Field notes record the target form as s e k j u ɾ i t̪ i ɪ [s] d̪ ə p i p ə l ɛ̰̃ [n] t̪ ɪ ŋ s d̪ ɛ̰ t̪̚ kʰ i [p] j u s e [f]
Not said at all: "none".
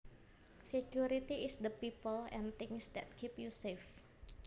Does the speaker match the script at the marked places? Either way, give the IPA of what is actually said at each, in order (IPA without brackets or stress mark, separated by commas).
s, n, p, f